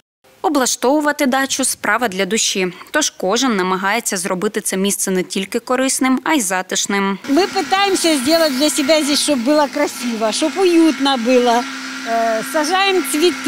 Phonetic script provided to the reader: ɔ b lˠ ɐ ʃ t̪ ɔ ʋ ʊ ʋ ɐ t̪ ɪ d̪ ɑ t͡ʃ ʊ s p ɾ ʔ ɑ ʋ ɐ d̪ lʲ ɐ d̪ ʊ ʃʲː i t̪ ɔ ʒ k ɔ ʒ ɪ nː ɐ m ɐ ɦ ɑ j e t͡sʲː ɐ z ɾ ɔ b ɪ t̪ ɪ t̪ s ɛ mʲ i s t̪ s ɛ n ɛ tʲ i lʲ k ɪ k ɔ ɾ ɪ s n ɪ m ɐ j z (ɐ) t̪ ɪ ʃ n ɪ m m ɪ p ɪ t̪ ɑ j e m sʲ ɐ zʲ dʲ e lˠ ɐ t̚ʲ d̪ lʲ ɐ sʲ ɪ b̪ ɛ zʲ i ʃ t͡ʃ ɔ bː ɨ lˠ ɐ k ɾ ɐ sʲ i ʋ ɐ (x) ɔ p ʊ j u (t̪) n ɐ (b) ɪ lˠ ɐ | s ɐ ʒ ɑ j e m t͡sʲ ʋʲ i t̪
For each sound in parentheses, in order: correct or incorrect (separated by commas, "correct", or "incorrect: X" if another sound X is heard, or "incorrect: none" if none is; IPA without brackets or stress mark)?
incorrect: ɑ, incorrect: ʃ, correct, correct